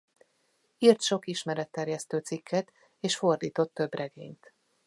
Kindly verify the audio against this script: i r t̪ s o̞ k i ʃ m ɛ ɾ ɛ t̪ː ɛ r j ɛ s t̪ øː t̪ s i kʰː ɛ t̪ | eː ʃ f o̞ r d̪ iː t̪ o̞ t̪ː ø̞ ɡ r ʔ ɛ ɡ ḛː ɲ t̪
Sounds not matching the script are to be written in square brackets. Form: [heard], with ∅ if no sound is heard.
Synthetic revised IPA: i r t̪ [ʃ] o̞ k i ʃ m ɛ ɾ ɛ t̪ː ɛ r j ɛ s t̪ øː t̪ s i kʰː ɛ t̪ | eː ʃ f o̞ r d̪ iː t̪ o̞ t̪ː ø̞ [b] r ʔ ɛ ɡ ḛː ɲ t̪